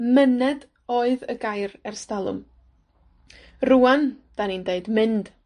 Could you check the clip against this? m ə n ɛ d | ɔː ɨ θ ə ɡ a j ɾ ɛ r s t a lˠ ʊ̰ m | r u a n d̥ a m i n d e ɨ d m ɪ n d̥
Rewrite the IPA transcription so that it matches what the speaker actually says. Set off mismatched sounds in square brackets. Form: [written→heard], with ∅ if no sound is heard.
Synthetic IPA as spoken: m ə n ɛ d | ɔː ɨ [θ→ð] ə ɡ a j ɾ ɛ r s t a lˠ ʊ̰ m | r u a n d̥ a [m→n] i n d e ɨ d m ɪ n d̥